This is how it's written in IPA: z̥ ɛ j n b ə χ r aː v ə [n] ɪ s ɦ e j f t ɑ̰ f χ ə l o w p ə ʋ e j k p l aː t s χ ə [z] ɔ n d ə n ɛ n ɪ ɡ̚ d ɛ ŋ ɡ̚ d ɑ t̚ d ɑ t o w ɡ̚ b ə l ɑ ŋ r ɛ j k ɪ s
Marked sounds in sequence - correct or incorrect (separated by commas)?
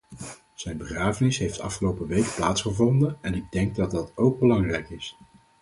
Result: correct, incorrect